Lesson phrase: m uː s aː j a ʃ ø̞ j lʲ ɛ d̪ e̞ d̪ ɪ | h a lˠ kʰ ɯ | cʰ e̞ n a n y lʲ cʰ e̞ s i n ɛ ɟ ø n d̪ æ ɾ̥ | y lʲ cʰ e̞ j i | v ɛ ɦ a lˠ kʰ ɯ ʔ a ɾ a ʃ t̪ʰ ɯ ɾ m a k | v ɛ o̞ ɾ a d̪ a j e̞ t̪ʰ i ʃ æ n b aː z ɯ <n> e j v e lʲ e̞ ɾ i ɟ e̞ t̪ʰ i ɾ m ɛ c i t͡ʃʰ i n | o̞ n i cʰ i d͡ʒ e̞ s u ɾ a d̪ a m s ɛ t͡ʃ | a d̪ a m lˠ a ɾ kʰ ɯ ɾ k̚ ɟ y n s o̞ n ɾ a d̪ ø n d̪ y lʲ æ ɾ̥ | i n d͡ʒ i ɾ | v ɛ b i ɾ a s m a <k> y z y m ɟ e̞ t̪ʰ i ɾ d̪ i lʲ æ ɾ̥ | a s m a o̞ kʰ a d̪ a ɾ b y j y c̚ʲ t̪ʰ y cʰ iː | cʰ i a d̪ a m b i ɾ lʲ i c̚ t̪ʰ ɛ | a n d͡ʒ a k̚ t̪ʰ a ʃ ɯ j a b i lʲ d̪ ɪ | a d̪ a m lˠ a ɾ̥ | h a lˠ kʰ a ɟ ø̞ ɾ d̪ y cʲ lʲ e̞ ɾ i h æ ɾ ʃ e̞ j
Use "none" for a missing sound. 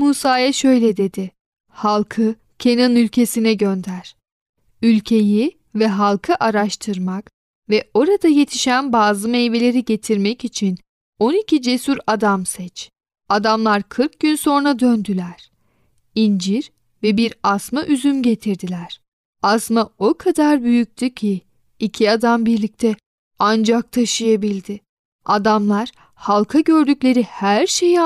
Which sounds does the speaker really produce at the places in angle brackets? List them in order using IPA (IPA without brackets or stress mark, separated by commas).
m, ʔ